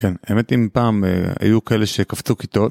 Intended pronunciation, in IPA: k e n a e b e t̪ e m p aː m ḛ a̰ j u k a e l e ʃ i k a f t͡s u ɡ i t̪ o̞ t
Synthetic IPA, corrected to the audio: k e n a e m e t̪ i m p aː m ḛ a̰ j u k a e l e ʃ e k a f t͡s u k i t̪ o̞ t